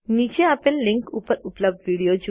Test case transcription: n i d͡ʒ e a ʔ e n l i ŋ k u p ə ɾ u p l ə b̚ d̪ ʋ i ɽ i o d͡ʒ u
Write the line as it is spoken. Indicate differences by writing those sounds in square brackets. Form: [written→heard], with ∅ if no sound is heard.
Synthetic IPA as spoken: n i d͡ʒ e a [ʔ→p] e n l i ŋ k u p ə ɾ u p l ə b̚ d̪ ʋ i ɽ i o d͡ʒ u